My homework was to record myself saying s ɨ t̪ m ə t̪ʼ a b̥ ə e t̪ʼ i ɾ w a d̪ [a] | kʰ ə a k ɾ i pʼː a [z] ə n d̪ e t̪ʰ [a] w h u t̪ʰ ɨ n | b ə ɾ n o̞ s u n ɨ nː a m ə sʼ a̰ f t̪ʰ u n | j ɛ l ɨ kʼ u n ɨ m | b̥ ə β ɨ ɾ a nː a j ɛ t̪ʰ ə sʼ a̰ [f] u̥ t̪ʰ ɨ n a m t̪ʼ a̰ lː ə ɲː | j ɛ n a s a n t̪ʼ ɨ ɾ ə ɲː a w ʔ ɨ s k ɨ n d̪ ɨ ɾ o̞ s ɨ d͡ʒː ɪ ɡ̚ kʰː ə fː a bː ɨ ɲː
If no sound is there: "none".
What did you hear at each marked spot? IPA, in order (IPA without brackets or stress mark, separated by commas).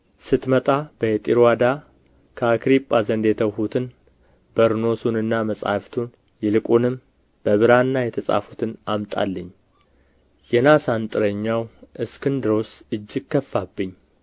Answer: a, z, ə, f